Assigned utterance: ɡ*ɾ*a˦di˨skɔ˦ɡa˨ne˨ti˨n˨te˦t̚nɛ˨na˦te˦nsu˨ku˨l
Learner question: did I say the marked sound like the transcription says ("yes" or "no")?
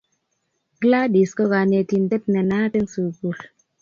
no